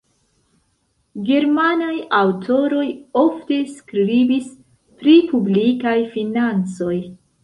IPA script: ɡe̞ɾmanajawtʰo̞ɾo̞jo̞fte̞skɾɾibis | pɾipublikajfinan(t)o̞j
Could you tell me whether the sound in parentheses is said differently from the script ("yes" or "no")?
yes